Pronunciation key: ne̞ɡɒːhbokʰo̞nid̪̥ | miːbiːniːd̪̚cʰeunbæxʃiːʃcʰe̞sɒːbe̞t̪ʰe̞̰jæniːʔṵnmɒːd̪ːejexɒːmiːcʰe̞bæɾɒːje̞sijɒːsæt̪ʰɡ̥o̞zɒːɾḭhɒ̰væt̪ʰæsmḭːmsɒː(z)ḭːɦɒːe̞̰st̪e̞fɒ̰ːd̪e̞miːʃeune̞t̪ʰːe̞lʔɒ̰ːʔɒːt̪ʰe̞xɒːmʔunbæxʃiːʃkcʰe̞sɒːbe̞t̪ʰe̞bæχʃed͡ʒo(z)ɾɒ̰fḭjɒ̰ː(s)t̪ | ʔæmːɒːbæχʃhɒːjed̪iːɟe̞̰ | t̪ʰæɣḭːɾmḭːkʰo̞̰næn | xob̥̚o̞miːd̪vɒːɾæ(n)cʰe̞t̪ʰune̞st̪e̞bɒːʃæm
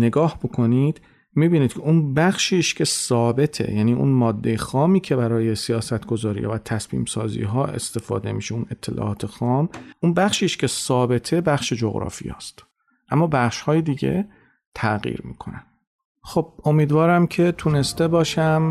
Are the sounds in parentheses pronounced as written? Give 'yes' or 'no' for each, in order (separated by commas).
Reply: yes, no, yes, no